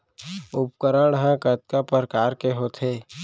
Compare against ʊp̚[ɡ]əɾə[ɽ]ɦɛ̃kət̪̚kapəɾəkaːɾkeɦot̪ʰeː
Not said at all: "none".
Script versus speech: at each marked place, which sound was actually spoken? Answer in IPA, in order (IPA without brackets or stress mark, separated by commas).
k, ɽ